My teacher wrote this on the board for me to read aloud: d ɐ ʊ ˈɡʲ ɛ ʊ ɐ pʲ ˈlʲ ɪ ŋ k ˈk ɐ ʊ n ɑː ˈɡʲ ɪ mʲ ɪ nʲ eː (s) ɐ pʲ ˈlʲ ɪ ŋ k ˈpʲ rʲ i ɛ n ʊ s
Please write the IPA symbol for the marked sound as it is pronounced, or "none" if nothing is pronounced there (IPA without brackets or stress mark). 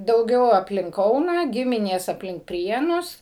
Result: s